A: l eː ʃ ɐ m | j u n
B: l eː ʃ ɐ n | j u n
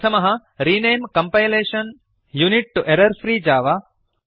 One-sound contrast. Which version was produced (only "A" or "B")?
B